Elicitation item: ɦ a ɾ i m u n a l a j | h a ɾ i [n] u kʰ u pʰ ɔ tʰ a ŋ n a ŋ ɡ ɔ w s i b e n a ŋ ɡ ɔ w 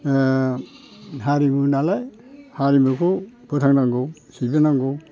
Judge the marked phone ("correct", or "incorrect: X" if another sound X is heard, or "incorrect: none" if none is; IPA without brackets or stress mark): incorrect: m